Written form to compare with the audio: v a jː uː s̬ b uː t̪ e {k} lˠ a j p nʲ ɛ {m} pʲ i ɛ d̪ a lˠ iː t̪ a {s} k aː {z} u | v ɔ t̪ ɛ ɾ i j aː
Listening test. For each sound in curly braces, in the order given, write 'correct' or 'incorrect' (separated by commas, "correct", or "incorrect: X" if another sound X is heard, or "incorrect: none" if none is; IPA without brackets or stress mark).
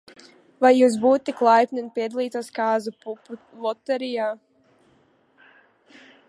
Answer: correct, incorrect: n, correct, correct